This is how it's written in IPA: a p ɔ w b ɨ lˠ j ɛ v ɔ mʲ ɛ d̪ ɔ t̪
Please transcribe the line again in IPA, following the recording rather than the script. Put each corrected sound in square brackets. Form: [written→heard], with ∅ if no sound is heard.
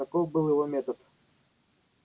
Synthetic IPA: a [p→k] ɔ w b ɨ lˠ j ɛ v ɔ mʲ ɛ [d̪→t̪] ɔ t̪

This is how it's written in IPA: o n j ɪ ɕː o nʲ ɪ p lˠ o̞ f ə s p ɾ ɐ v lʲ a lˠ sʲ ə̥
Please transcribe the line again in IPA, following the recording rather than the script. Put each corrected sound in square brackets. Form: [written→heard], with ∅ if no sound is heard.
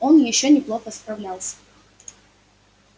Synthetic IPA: o n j ɪ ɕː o nʲ ɪ p lˠ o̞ [f→x] ə s p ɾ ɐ v lʲ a lˠ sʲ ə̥

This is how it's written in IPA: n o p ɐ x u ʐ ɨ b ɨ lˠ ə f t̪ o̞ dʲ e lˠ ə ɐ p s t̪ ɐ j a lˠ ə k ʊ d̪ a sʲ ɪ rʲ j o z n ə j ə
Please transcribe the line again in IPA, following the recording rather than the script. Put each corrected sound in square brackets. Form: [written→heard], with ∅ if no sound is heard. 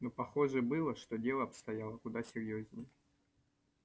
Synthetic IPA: n o p ɐ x [u→o] ʐ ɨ b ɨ lˠ ə [f→ʂ] t̪ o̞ dʲ e lˠ ə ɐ p s t̪ ɐ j a lˠ ə k ʊ d̪ a sʲ ɪ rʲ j o z n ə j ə

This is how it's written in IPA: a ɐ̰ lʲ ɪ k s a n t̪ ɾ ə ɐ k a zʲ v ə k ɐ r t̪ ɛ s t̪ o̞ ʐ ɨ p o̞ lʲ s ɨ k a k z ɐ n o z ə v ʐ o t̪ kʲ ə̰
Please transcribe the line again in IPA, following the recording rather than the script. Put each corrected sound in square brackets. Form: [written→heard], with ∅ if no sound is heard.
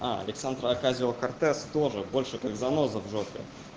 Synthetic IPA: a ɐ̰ lʲ ɪ k s a n [t̪→d̪] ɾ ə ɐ k a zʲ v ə k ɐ r t̪ ɛ s t̪ o̞ ʐ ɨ [p→b] o̞ lʲ [s→ʂ] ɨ k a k z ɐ n o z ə v ʐ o t̪ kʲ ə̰

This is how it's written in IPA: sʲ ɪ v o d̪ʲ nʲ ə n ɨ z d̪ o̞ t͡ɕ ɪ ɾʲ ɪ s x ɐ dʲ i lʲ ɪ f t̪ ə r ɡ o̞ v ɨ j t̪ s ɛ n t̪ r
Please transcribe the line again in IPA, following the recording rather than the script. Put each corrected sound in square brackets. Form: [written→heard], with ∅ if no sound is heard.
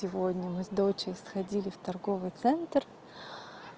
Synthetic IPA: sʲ ɪ v o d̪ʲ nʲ ə [n→m] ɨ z d̪ o̞ t͡ɕ ɪ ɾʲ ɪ s x ɐ dʲ i lʲ ɪ f t̪ [ə→ɐ] r ɡ o̞ v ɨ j t̪ s ɛ n t̪ r

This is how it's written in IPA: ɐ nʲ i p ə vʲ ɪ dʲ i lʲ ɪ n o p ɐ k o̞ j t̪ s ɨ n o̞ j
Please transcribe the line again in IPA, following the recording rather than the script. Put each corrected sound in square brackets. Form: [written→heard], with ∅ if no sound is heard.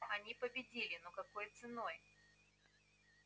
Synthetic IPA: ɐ nʲ i p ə [vʲ→bʲ] ɪ dʲ i lʲ ɪ n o [p→k] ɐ k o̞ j t̪ s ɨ n o̞ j

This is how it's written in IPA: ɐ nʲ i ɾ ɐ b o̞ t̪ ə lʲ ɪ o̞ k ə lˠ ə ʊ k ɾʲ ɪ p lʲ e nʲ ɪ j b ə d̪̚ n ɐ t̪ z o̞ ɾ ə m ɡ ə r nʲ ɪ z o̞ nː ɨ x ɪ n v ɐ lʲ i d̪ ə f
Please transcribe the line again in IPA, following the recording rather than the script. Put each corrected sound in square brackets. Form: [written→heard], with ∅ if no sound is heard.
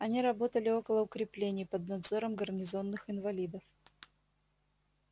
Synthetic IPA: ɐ nʲ i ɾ ɐ b o̞ t̪ ə lʲ ɪ o̞ k ə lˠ ə ʊ k ɾʲ ɪ p lʲ e nʲ ɪ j [b→p] ə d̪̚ n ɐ [t̪→d̪] z o̞ ɾ ə m ɡ ə r nʲ ɪ z o̞ nː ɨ x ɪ n v ɐ lʲ i d̪ ə f

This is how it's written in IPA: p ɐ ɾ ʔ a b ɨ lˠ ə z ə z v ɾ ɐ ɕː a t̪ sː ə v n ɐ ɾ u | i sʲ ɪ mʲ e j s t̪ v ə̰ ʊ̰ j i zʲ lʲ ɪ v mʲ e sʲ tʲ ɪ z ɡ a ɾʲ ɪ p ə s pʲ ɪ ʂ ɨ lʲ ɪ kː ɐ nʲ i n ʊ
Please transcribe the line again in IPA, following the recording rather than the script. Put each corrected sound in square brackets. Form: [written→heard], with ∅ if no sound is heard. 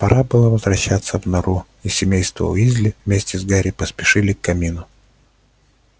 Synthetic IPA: p ɐ ɾ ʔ a b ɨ lˠ ə [z→v] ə z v ɾ ɐ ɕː a t̪ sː ə v n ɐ ɾ u | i sʲ ɪ mʲ e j s t̪ v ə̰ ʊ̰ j i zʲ lʲ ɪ v mʲ e sʲ tʲ ɪ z ɡ a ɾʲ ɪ p ə s pʲ ɪ ʂ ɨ lʲ ɪ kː ɐ [nʲ→mʲ] i n ʊ

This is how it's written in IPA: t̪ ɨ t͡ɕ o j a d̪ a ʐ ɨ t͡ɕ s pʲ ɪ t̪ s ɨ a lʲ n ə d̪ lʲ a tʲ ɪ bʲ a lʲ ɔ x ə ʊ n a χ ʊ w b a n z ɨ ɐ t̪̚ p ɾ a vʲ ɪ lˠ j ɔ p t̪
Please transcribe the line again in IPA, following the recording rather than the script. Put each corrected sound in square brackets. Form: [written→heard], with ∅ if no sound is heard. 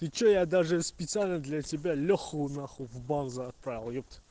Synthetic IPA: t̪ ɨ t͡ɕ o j a d̪ a ʐ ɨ [t͡ɕ→∅] s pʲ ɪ t̪ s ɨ a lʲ n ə d̪ lʲ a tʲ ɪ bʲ a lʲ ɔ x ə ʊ n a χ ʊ [w→v] b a n z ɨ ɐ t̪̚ p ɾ a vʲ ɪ lˠ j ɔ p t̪

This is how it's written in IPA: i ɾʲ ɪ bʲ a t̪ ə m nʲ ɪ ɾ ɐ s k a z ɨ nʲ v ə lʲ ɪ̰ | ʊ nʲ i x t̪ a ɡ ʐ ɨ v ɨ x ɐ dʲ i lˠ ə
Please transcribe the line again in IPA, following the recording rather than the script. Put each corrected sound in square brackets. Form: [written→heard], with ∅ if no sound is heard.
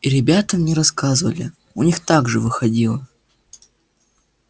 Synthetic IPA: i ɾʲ ɪ bʲ a t̪ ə m nʲ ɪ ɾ ɐ s k a z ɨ [nʲ→∅] v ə lʲ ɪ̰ | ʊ nʲ i x t̪ a ɡ ʐ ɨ v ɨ x ɐ dʲ i lˠ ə

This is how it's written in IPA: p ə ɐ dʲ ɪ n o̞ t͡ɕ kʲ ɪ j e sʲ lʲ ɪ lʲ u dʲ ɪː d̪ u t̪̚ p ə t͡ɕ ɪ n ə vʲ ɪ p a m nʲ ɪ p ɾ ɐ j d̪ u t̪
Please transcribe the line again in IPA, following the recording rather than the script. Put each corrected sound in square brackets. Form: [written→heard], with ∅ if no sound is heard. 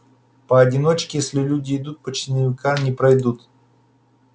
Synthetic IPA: p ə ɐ dʲ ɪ n o̞ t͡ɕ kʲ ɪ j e sʲ lʲ ɪ lʲ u dʲ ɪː d̪ u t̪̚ p ə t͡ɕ ɪ n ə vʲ ɪ [p→k] a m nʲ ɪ p ɾ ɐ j d̪ u t̪

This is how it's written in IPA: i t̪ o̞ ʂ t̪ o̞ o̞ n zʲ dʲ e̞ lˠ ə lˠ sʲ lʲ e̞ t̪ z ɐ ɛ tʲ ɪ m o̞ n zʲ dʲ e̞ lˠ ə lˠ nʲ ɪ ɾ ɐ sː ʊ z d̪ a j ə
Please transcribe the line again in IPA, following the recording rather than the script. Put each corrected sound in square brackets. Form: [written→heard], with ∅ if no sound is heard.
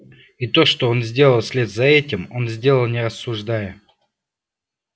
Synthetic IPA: i t̪ o̞ ʂ t̪ o̞ o̞ n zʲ dʲ e̞ lˠ ə lˠ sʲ lʲ e̞ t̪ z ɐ ɛ tʲ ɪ m o̞ n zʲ dʲ e̞ lˠ ə lˠ nʲ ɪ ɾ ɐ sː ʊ [z→ʐ] d̪ a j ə

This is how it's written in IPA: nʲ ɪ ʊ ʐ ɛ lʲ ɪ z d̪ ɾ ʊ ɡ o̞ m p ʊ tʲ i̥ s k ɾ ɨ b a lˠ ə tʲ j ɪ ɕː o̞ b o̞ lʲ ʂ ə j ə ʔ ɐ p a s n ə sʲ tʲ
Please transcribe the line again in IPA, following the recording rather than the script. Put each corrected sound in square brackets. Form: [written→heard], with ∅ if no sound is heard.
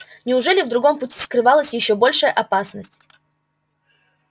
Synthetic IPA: nʲ ɪ ʊ ʐ ɛ lʲ ɪ [z→v] d̪ ɾ ʊ ɡ o̞ m p ʊ tʲ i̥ s k ɾ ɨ [b→v] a lˠ ə [tʲ→sʲ] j ɪ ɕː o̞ b o̞ lʲ ʂ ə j ə ʔ ɐ p a s n ə sʲ tʲ

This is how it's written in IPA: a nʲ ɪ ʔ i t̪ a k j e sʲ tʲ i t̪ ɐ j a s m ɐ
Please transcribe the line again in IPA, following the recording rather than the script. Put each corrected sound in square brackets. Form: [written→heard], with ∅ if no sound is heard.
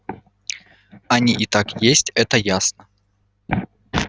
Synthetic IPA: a nʲ [ɪ→i] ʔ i t̪ a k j e sʲ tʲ [i→ɛ] t̪ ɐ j a s [m→n] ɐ

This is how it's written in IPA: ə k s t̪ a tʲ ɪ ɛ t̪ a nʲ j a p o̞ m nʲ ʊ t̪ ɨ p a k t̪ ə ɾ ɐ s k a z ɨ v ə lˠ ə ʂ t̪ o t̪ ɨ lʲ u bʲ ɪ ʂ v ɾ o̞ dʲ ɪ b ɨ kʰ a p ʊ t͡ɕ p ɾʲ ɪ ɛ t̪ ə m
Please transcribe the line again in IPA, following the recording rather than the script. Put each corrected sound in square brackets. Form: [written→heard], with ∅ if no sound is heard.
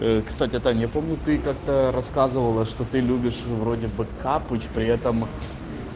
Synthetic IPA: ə k s t̪ a tʲ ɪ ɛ t̪ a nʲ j a p o̞ m nʲ ʊ t̪ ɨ [p→k] a k t̪ ə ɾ ɐ s k a z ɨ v ə lˠ ə ʂ t̪ o t̪ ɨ lʲ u bʲ ɪ ʂ v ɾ o̞ dʲ ɪ b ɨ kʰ a p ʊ t͡ɕ p ɾʲ ɪ ɛ t̪ ə m

